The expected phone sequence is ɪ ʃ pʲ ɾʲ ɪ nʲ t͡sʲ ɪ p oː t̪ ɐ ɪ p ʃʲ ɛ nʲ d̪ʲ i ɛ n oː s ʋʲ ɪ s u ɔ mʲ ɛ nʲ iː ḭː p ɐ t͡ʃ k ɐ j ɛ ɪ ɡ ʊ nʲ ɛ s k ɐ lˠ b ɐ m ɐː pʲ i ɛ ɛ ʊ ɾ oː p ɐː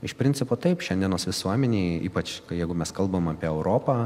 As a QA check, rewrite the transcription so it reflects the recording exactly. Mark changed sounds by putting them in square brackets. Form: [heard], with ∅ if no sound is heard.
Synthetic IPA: ɪ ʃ pʲ ɾʲ ɪ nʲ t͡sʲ ɪ p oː t̪ ɐ ɪ p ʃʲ ɛ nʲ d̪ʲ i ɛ n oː s ʋʲ ɪ s u ɔ mʲ ɛ nʲ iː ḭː p ɐ t͡ʃ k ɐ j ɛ ɪ ɡ ʊ [mʲ] ɛ s k ɐ lˠ b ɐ m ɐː pʲ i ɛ ɛ ʊ ɾ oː p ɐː